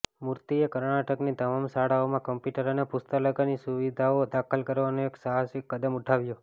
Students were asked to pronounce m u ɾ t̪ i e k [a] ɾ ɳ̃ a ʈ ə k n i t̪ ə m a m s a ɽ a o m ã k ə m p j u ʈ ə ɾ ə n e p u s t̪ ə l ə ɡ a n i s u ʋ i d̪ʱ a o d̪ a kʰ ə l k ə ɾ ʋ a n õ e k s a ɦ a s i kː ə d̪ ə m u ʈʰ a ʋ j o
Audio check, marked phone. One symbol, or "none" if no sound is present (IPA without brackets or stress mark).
ə